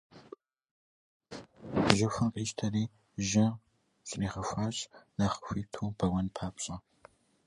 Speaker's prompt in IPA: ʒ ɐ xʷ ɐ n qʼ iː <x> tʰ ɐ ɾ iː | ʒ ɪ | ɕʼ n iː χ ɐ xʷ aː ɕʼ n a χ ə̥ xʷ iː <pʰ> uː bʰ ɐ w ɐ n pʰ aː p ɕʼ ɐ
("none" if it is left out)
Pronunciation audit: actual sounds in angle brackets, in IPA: ʃ, tʰ

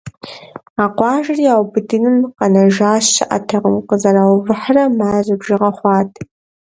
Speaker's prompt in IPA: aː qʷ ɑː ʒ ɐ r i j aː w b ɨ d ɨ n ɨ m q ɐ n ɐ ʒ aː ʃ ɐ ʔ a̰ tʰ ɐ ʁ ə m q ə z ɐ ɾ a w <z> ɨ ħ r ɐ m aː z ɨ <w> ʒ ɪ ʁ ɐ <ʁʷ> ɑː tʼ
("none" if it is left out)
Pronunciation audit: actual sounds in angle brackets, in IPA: v, b, χʷ

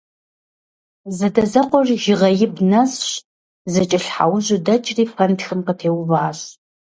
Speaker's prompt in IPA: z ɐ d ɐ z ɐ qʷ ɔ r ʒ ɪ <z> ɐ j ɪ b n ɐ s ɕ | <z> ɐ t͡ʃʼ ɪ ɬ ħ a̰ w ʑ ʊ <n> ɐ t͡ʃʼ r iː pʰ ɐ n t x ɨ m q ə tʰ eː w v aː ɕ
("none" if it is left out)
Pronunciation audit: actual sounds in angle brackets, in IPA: ʁ, z, d

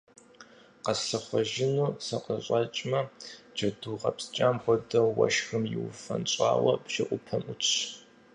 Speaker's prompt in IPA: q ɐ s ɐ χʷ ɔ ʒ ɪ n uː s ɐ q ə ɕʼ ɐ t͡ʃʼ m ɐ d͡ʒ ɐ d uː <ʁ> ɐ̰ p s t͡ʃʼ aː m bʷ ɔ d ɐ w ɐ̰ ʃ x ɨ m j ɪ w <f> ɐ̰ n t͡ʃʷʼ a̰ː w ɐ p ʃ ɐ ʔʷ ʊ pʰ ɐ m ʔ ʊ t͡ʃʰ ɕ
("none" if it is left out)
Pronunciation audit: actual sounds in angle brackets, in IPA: ʁ, f

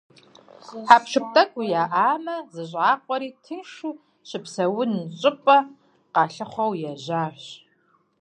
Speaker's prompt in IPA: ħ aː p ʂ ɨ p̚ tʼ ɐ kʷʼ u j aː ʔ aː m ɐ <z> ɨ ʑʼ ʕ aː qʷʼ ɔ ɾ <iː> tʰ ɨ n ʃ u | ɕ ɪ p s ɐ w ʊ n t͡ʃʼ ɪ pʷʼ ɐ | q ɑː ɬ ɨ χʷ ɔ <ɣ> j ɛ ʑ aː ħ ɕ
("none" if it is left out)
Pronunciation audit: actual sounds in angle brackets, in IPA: z, iː, w

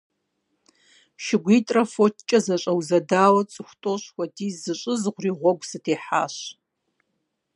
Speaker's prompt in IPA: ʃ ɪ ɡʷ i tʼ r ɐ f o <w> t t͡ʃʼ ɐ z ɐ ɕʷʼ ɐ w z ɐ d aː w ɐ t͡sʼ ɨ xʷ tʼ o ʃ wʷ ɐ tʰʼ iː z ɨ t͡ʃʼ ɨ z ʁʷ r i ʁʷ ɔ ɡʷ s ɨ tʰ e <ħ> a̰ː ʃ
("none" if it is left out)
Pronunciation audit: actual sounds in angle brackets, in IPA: none, ħ

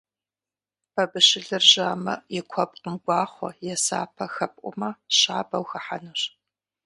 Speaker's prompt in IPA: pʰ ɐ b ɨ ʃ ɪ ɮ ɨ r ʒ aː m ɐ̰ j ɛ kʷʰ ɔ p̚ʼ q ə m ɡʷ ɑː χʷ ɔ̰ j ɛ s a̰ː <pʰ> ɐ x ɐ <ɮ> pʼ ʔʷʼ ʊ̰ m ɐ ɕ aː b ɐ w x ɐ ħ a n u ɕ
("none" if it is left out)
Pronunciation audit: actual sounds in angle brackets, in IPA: pʰ, none

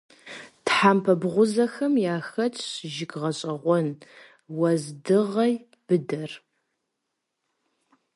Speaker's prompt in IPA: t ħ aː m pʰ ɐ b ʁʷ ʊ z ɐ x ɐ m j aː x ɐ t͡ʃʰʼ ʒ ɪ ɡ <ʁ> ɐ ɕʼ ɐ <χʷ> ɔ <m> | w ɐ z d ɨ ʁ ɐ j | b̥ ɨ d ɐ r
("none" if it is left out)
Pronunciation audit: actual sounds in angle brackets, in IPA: ʁ, ʁʷ, n

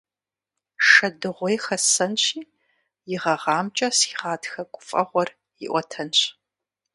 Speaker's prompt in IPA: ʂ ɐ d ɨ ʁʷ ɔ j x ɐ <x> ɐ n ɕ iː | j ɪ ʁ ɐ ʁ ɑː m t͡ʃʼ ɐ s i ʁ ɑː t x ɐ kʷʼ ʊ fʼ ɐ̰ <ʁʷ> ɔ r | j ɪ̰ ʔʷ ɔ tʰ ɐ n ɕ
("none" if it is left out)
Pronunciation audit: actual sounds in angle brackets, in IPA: s, ʁʷ

